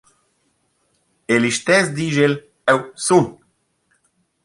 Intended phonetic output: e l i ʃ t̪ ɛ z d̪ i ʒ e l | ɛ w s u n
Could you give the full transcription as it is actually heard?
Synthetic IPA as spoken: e l i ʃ t̪ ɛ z d̪ i ʒ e l | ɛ w s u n